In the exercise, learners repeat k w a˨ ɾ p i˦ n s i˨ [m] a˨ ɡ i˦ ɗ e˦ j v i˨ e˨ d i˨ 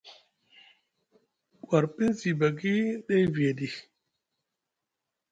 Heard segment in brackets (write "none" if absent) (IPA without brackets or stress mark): b